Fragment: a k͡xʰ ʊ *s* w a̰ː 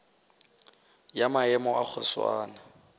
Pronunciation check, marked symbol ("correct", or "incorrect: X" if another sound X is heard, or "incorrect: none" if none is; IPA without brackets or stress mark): correct